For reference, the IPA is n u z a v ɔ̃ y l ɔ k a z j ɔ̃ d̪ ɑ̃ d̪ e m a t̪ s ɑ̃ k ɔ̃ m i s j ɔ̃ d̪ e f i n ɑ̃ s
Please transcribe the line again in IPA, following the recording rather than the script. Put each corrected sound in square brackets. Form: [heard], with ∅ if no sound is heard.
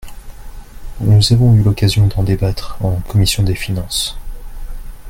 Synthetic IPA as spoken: n u z a v ɔ̃ y l ɔ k a z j ɔ̃ d̪ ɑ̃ d̪ e [b] a t̪ [χ] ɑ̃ k [ɔ] m i s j ɔ̃ d̪ e f i n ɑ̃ s